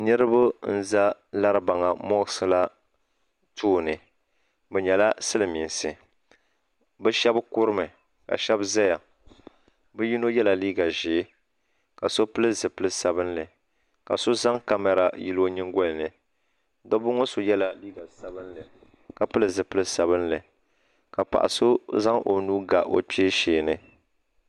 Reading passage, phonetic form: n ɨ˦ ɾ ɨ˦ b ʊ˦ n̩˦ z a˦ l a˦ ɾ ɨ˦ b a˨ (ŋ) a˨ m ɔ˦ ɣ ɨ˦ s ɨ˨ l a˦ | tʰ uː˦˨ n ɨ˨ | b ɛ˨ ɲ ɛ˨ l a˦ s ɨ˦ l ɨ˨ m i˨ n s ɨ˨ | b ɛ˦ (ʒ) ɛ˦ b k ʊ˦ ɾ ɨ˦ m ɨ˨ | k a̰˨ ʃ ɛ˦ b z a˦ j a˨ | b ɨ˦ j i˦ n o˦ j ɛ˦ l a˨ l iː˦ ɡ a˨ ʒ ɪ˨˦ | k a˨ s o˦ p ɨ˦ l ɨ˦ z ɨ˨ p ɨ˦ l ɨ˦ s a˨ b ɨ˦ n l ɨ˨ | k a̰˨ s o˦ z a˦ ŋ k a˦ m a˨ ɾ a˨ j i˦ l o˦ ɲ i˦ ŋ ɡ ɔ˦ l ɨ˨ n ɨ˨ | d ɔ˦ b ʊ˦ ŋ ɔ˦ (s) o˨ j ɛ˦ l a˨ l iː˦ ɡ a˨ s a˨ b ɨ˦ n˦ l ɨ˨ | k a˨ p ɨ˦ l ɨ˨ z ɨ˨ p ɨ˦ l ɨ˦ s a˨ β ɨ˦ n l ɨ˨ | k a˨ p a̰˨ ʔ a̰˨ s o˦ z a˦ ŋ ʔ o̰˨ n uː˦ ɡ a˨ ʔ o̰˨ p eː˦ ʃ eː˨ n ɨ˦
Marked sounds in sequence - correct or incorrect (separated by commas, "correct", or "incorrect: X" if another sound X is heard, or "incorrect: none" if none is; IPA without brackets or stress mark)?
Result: correct, incorrect: ʃ, correct